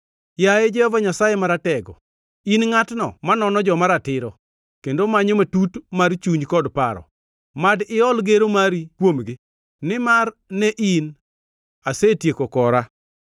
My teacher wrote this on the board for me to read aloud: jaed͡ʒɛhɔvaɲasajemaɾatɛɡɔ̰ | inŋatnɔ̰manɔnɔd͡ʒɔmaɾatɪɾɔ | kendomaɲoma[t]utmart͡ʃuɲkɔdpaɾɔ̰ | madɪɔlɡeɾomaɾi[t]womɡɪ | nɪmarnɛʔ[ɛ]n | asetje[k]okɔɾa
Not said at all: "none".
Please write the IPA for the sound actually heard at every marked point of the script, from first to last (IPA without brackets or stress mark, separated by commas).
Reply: t, k, i, k